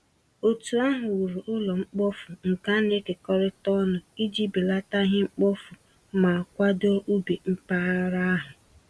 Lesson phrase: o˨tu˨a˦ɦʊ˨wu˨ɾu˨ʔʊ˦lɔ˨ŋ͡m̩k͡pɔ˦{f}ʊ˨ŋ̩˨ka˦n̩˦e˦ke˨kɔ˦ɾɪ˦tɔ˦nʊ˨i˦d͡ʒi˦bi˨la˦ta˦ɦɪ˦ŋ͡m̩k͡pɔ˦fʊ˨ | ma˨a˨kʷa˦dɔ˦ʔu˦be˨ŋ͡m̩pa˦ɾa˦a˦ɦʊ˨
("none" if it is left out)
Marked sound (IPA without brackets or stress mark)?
f